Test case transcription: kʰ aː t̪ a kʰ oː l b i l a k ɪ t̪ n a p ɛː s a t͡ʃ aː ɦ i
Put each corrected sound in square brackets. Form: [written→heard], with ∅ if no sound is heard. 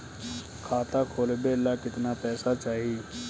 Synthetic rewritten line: kʰ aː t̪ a kʰ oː l b [i→e] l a k ɪ t̪ n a p ɛː s a t͡ʃ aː ɦ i

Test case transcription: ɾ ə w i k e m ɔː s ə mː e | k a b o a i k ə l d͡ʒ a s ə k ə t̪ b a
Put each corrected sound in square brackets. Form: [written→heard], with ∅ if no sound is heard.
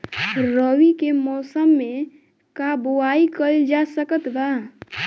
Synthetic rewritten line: ɾ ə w i k e m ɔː s ə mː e | k a b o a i k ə l d͡ʒ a s ə k ə t̪ b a

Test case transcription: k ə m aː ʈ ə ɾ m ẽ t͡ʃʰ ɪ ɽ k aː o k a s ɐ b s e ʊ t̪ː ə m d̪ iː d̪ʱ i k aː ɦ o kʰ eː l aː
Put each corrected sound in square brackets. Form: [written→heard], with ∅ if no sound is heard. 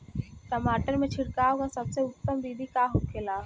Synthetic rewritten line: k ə m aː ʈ ə ɾ m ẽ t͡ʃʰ ɪ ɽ k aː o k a s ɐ b s e ʊ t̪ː ə m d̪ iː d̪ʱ i k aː ɦ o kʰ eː l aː

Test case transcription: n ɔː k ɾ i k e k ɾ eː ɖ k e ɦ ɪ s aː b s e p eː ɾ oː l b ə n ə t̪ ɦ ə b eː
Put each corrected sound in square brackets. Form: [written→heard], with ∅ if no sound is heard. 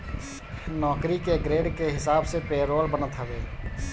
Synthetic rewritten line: n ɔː k ɾ i k e [k→ɡ] ɾ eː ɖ k e ɦ ɪ s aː b s e p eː ɾ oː l b ə n ə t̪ ɦ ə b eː

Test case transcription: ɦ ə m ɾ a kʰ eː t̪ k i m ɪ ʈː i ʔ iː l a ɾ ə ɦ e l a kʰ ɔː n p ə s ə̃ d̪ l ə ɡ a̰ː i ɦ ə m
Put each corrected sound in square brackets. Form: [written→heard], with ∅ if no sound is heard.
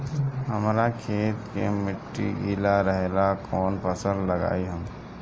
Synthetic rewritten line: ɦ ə m ɾ a kʰ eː t̪ k [i→e] m ɪ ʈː i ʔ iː l a ɾ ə ɦ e l a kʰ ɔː n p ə s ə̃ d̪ l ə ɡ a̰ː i ɦ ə m

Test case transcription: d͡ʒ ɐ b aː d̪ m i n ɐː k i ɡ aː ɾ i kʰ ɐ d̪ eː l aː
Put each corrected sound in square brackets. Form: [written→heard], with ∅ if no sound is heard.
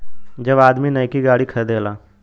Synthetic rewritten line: d͡ʒ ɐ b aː d̪ m i n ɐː k i ɡ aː [ɾ→ɽ] i kʰ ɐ d̪ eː l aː

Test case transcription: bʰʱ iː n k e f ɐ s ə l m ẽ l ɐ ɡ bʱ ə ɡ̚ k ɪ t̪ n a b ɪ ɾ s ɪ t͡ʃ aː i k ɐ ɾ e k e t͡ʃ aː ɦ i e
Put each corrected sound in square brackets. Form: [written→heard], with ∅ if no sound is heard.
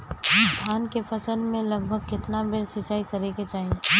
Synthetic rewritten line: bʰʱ [iː→aː] n k e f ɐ s ə l m ẽ l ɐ ɡ bʱ ə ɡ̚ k ɪ t̪ n a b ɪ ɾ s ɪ t͡ʃ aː i k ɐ ɾ e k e t͡ʃ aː ɦ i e

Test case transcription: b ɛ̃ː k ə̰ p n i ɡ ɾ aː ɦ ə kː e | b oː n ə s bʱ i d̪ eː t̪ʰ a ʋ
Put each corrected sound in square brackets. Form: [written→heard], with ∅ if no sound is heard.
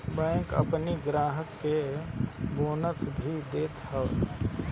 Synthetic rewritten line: b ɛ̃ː k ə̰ p n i ɡ ɾ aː ɦ ə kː e | b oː n ə s bʱ i d̪ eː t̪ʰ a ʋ

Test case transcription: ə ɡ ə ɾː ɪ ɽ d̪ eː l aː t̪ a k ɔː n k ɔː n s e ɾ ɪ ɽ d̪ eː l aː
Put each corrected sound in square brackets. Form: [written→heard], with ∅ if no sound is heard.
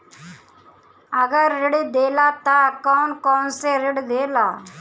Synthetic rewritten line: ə ɡ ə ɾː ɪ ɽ d̪ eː l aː t̪ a k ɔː n k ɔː n s e ɾ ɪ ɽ d̪ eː l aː

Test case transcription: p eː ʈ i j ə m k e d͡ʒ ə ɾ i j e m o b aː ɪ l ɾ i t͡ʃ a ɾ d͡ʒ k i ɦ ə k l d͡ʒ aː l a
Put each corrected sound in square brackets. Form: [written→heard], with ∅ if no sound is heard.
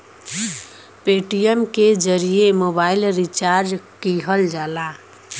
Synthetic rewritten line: p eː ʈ i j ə m k e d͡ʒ ə ɾ i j e m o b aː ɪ l ɾ i t͡ʃ a ɾ d͡ʒ k i ɦ ə [k→∅] l d͡ʒ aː l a

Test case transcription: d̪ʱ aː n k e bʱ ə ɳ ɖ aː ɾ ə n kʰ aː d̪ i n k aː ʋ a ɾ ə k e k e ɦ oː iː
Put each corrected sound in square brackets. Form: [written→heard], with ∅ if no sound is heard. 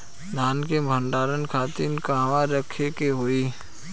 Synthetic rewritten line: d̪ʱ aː n k e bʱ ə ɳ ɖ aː ɾ ə n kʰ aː [d̪→t̪] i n k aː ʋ a ɾ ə [k→kʰ] e k e ɦ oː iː

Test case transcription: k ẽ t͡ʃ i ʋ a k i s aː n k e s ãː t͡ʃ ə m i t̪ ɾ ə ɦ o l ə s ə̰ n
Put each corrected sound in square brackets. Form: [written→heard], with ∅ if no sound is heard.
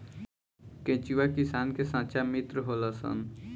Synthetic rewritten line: k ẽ t͡ʃ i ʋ a k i s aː n k e s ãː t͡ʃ [ə→a] m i t̪ ɾ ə ɦ o l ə s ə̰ n

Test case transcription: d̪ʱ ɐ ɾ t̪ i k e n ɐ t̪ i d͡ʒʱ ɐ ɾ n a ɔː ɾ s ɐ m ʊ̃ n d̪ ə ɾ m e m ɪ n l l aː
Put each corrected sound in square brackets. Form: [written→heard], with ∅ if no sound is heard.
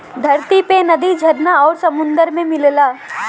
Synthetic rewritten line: d̪ʱ ɐ ɾ t̪ i [k→p] e n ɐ [t̪→d̪] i d͡ʒʱ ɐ ɾ n a ɔː ɾ s ɐ m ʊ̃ n d̪ ə ɾ m [e→ẽ] m ɪ [n→∅] l l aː

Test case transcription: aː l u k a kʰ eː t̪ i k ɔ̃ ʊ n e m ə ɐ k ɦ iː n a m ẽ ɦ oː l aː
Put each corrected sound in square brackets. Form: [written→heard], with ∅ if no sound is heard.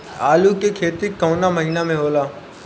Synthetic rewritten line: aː l u k [a→e] kʰ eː t̪ i k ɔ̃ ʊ n [e→a] m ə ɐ [k→∅] ɦ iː n a m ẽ ɦ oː l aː

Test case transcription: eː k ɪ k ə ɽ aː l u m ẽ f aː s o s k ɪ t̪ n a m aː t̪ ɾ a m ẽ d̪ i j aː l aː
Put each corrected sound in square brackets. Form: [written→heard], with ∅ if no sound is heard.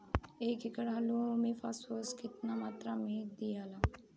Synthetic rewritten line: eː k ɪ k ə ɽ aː l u m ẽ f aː s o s k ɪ t̪ n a m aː t̪ ɾ a m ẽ d̪ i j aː l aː

